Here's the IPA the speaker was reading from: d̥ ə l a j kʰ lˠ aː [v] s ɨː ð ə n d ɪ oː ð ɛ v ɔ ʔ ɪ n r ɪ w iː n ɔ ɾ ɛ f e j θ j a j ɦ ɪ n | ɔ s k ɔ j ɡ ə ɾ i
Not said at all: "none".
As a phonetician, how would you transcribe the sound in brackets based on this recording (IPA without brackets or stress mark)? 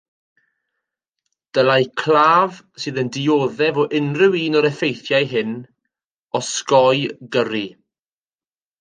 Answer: v